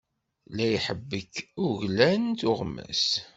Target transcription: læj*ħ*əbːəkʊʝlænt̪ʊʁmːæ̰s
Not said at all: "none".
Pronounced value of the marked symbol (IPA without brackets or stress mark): ħ